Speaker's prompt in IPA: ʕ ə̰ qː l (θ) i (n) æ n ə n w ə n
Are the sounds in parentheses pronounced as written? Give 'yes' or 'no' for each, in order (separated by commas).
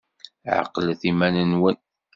yes, no